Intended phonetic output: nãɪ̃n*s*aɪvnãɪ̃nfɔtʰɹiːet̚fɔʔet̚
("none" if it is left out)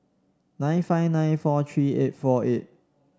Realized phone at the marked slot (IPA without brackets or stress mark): f